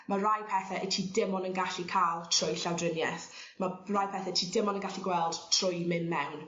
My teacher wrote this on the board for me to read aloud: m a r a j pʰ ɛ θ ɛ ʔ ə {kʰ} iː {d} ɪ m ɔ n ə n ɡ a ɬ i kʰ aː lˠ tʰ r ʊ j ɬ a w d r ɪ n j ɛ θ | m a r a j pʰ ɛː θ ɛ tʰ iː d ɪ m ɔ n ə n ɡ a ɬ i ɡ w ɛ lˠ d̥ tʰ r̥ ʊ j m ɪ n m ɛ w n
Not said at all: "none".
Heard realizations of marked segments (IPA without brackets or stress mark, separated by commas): tʰ, d